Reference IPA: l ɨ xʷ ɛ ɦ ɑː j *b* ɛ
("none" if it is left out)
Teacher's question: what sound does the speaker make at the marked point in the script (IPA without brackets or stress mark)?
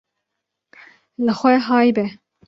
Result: b